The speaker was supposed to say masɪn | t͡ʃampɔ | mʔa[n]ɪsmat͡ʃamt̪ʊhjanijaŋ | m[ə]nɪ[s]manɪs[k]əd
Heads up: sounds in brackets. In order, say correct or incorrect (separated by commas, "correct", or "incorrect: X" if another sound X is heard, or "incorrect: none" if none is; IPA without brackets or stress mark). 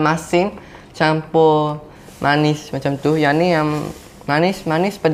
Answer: correct, incorrect: a, correct, incorrect: p